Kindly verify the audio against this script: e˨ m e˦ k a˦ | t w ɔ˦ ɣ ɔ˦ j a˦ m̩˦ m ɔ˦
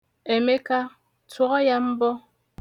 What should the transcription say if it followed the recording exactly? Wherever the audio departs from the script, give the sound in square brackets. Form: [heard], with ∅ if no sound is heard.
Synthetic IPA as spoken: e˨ m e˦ k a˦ | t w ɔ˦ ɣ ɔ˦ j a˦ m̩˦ [b] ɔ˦